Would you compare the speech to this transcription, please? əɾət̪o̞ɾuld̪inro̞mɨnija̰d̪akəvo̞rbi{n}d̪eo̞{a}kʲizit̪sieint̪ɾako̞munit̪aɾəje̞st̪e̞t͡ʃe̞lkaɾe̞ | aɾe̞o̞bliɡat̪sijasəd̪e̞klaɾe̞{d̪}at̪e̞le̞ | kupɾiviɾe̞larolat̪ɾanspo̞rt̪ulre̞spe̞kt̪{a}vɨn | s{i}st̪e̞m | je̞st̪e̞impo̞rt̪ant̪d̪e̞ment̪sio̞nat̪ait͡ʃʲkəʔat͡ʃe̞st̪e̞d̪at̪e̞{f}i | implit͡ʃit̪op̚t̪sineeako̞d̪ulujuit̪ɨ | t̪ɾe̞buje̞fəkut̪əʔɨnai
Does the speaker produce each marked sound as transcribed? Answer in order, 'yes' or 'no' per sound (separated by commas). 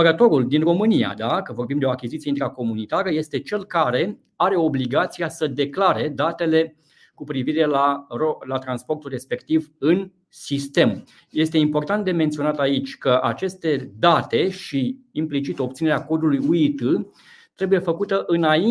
no, yes, yes, no, yes, no